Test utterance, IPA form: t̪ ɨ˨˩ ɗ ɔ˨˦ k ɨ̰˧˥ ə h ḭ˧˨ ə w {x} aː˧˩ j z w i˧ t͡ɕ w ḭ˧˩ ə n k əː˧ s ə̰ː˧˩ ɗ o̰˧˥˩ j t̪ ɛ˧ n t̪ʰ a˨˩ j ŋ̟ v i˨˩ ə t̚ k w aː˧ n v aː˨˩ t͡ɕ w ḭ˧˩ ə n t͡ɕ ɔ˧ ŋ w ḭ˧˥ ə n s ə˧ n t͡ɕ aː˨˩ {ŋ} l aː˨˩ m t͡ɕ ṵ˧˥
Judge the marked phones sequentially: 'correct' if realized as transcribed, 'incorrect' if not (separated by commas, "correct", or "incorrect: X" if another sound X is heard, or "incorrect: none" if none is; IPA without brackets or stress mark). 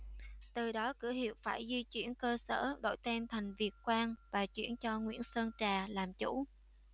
incorrect: f, incorrect: none